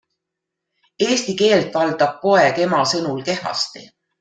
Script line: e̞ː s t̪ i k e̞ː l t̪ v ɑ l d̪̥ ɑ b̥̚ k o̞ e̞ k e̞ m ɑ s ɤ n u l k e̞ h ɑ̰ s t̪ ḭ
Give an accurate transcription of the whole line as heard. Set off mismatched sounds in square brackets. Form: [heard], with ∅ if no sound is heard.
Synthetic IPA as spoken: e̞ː s t̪ i k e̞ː l t̪ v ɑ l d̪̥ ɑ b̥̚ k o̞ e̞ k e̞ m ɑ s ɤ n u l k e̞ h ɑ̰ s t̪ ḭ